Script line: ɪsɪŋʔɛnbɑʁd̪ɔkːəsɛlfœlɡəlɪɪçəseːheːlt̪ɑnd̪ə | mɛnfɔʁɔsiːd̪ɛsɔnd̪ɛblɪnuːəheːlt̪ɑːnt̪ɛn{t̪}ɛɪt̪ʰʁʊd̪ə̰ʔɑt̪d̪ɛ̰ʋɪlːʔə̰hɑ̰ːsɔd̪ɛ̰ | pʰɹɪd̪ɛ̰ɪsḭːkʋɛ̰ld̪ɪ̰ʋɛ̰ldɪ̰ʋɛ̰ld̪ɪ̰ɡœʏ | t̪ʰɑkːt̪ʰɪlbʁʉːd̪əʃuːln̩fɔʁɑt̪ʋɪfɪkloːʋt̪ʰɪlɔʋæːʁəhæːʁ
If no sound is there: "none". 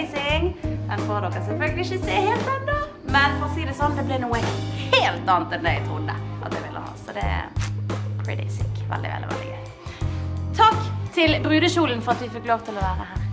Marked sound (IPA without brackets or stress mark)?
d̪